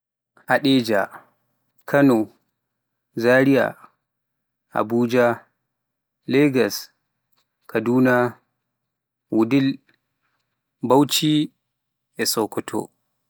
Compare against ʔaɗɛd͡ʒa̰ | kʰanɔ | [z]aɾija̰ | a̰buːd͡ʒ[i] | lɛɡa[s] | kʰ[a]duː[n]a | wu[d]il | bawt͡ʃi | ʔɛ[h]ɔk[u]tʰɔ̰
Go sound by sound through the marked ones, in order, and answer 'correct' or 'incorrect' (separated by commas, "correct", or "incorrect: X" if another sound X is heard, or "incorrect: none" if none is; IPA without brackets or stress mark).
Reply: correct, incorrect: a, correct, correct, correct, correct, incorrect: s, incorrect: ɔ